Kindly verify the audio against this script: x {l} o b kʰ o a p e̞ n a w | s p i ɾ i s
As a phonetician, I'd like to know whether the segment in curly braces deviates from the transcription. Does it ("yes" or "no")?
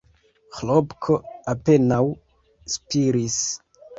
no